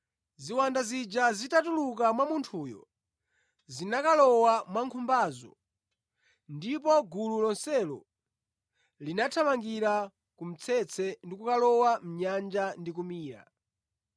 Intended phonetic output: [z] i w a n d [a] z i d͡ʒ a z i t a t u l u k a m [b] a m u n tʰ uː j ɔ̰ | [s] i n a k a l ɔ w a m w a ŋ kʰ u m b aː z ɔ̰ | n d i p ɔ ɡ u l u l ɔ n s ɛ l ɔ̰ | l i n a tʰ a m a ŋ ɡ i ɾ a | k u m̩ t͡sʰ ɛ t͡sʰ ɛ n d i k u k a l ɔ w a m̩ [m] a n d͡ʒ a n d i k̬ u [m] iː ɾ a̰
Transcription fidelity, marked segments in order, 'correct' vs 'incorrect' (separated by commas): correct, correct, incorrect, incorrect, incorrect, correct